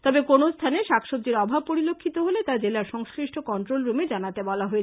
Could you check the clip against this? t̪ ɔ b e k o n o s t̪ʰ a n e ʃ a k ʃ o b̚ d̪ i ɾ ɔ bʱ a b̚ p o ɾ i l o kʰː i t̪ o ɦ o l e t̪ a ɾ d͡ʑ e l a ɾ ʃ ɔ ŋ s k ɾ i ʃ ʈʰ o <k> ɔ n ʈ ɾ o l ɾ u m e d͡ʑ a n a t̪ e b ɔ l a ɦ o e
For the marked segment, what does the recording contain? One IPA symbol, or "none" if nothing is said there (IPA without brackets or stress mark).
k